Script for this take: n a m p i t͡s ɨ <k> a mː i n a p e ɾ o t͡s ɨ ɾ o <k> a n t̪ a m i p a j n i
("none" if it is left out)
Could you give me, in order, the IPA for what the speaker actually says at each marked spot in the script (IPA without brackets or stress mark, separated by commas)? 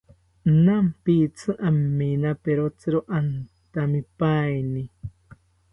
ʔ, ʔ